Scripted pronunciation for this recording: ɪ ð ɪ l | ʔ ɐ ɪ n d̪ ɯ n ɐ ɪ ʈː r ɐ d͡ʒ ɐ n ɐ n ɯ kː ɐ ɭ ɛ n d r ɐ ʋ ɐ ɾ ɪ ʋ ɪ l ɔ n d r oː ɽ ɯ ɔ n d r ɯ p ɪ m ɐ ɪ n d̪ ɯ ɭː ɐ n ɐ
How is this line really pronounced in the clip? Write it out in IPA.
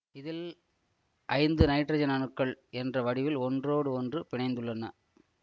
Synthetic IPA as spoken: ɪ ð ɪ l | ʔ ɐ ɪ n d̪ ɯ n ɐ ɪ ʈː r ɐ d͡ʒ ɐ n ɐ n ɯ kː ɐ ɭ ɛ n d r ɐ ʋ ɐ ɽ ɪ ʋ ɪ l ɔ n d r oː ɽ ɯ ɔ n d r ɯ p ɪ ɳ ɐ ɪ n d̪ ɯ ɭː ɐ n ɐ